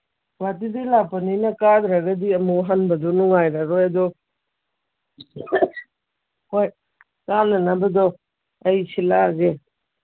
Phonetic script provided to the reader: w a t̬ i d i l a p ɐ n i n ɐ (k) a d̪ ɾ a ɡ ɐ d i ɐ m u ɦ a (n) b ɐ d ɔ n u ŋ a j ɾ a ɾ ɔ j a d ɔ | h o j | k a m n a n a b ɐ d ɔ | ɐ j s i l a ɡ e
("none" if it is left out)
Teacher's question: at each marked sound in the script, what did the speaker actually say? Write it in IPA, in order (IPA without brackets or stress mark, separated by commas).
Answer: k, n